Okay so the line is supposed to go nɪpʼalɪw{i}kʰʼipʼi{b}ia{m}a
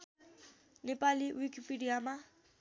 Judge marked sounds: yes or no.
yes, no, yes

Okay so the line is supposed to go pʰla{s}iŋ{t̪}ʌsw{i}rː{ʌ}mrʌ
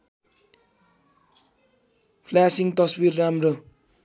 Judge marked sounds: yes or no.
yes, yes, yes, no

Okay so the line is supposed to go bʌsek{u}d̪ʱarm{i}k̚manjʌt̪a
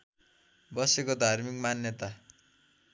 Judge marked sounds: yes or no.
no, yes

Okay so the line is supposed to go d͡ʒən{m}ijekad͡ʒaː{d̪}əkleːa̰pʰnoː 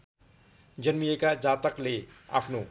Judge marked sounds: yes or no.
yes, no

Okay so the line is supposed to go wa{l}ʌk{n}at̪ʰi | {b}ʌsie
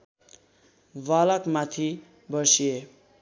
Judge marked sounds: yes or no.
yes, no, yes

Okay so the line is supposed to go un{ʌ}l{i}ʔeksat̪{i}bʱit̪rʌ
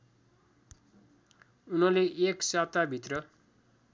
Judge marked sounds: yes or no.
yes, no, no

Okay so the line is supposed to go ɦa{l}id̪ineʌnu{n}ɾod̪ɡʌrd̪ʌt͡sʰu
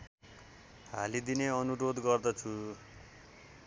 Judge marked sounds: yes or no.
yes, no

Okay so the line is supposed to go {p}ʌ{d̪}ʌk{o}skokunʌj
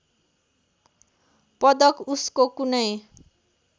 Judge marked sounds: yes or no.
yes, yes, no

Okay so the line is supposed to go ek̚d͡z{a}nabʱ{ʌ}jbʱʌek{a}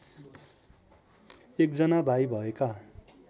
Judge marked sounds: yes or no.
no, no, yes

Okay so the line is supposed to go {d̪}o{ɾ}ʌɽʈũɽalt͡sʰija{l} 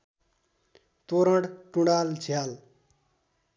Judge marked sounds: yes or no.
no, yes, yes

